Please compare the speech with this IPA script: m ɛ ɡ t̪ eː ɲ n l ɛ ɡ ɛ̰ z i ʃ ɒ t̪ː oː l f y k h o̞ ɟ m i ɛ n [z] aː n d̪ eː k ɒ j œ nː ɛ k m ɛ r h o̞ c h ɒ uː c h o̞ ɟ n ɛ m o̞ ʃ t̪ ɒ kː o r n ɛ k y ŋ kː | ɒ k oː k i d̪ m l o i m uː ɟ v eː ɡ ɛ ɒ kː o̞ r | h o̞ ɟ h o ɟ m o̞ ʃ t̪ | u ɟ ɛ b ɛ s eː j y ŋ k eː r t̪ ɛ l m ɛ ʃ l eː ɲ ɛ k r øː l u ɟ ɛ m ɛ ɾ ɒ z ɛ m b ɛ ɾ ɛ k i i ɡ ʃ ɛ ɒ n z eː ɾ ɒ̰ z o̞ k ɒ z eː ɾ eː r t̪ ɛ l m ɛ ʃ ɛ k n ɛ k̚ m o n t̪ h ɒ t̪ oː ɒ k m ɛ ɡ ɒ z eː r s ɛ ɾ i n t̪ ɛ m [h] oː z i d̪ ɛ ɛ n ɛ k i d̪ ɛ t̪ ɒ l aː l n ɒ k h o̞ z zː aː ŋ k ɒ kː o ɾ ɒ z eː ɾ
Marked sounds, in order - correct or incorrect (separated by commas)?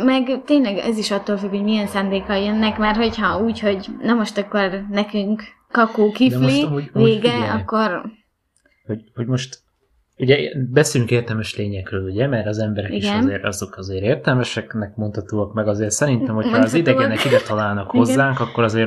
incorrect, correct